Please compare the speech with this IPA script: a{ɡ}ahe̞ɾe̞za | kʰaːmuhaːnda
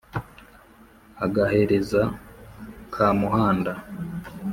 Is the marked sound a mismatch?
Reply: no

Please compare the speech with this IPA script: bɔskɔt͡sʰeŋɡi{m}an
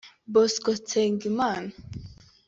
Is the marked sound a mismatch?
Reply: no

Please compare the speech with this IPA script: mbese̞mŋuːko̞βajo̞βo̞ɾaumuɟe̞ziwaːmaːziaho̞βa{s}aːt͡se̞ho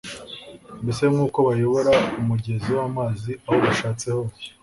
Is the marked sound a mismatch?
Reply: yes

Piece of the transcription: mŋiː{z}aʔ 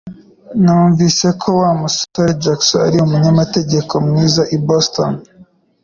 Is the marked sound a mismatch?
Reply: no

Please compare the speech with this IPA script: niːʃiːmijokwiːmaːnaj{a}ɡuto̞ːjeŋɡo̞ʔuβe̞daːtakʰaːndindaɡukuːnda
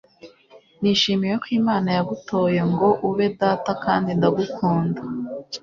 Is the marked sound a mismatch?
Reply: no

